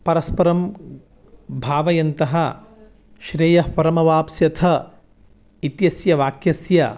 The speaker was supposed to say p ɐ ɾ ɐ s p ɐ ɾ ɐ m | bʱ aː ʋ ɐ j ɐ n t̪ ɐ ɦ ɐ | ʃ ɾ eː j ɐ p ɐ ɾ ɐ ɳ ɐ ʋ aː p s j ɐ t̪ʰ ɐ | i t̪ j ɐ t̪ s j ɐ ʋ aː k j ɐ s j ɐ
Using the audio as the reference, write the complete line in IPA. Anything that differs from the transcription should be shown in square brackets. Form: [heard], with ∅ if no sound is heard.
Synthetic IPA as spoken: p ɐ ɾ ɐ s p ɐ ɾ ɐ m | bʱ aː ʋ ɐ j ɐ n t̪ ɐ ɦ ɐ | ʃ ɾ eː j ɐ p ɐ ɾ ɐ [m] ɐ ʋ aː p s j ɐ t̪ʰ ɐ | i t̪ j ɐ [∅] s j ɐ ʋ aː k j ɐ s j ɐ